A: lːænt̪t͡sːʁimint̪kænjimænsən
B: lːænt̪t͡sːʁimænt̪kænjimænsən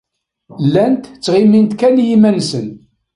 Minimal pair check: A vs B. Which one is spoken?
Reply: A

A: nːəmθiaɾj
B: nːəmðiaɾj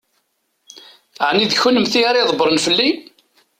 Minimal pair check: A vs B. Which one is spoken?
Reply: A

